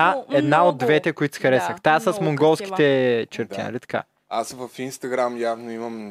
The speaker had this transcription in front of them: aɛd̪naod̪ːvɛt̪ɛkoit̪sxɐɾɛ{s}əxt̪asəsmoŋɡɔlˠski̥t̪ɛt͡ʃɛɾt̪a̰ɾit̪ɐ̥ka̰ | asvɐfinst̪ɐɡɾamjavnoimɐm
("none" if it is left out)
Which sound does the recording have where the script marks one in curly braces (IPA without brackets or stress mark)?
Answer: s